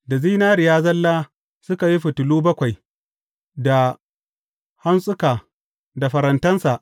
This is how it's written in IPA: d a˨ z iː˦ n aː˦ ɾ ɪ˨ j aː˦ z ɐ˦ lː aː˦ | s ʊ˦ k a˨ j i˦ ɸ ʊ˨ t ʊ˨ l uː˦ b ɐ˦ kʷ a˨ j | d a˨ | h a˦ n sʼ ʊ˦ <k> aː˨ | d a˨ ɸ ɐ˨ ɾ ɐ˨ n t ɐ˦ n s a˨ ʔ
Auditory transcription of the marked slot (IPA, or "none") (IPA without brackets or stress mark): k